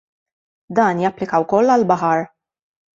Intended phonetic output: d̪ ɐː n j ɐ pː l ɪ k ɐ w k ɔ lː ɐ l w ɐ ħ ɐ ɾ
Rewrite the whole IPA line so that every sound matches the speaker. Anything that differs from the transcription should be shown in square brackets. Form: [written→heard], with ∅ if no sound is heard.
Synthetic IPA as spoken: d̪ ɐː n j ɐ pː l ɪ k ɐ w k ɔ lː ɐ l [w→b] ɐ ħ ɐ ɾ

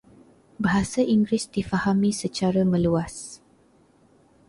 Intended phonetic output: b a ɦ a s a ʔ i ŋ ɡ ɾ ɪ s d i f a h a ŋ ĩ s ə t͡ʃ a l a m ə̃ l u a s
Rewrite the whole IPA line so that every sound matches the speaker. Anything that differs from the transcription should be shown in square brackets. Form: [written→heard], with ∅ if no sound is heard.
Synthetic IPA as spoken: b a ɦ a s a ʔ i ŋ ɡ ɾ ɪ s d i f a h a [ŋ→m] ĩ s ə t͡ʃ a [l→ɾ] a m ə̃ l u a s

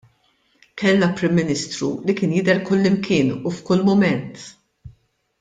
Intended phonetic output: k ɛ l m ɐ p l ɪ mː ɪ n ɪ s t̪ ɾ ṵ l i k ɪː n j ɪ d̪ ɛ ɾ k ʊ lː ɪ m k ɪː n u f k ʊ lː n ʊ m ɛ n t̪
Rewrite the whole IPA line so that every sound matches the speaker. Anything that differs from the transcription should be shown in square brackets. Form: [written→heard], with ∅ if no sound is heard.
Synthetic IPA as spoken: k ɛ l [m→n] ɐ p [l→ɾ] ɪ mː ɪ n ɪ s t̪ ɾ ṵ l i k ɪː n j ɪ d̪ ɛ ɾ k ʊ lː ɪ m k ɪː n u f k ʊ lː [n→m] ʊ m ɛ n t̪

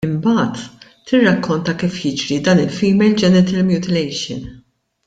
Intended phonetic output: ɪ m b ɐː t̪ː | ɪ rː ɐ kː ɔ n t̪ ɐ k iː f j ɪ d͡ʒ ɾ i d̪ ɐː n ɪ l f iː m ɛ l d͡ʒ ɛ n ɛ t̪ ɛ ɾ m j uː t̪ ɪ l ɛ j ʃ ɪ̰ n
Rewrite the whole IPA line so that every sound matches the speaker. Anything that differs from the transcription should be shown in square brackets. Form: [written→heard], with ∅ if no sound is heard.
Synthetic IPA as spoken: ɪ m b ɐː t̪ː | ɪ rː ɐ kː ɔ n t̪ ɐ k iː f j ɪ d͡ʒ ɾ i d̪ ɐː n ɪ l f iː m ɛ l d͡ʒ ɛ n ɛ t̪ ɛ [ɾ→l] m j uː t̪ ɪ l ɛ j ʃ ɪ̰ n

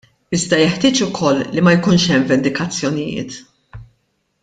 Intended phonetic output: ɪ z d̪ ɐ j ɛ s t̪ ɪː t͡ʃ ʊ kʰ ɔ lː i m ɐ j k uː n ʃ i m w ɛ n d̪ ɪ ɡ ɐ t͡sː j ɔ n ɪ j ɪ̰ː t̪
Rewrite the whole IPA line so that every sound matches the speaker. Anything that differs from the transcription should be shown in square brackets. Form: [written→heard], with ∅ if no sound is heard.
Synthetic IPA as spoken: ɪ z d̪ ɐ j ɛ [s→ħ] t̪ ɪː t͡ʃ ʊ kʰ ɔ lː i m ɐ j k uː n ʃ [i→ɛ] m [w→v] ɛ n d̪ ɪ [ɡ→k] ɐ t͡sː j ɔ n ɪ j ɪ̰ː t̪

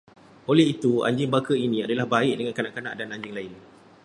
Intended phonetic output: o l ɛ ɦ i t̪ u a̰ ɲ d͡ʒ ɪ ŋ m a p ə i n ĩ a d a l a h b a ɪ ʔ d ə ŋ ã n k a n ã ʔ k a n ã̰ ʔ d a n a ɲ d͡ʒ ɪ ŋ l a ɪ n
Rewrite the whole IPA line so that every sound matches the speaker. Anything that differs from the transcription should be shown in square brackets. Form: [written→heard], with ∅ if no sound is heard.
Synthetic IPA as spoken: o l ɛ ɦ i t̪ u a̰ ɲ d͡ʒ ɪ ŋ [m→b] a [p→k] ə i n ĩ a d a l a h b a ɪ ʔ d ə ŋ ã n k a n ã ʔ k a n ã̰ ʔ d a n a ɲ d͡ʒ ɪ ŋ l a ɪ n

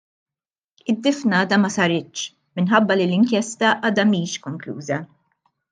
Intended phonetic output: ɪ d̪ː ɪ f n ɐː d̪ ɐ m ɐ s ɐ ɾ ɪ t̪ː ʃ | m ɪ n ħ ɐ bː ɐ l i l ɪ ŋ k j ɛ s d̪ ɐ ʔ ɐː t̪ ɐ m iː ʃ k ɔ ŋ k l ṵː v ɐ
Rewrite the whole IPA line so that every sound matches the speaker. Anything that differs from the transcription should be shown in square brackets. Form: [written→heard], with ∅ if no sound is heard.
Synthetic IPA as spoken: ɪ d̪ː ɪ f n ɐː d̪ ɐ m ɐ s ɐ ɾ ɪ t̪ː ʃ | m ɪ n ħ ɐ bː ɐ l i l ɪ ŋ k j ɛ s [d̪→t̪] ɐ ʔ ɐː [t̪→d̪] ɐ m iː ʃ k ɔ ŋ k l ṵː [v→z] ɐ

